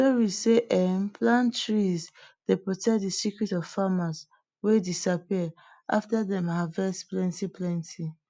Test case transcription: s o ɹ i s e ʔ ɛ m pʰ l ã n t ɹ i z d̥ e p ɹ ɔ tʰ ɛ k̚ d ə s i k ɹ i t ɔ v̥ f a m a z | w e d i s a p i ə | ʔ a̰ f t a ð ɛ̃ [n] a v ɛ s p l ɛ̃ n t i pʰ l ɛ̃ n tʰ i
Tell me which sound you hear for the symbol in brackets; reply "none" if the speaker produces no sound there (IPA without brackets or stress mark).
m